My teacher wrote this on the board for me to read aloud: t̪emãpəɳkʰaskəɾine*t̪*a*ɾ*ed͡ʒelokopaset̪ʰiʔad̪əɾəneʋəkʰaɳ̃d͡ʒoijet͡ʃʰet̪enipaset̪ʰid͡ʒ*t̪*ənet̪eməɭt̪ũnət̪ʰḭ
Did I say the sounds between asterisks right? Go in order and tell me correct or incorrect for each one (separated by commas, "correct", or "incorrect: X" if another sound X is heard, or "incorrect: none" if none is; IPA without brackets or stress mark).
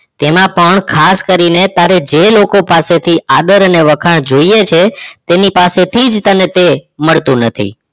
correct, correct, correct